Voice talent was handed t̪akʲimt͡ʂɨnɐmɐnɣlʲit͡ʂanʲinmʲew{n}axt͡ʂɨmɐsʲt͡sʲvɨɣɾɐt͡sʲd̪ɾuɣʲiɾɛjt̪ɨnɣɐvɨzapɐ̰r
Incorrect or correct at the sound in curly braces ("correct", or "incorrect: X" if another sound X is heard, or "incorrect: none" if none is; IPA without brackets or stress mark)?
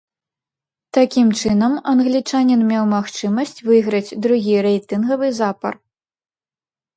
incorrect: m